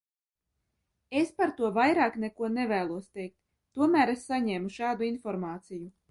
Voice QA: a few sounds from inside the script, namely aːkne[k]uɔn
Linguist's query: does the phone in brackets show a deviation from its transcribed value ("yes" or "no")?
no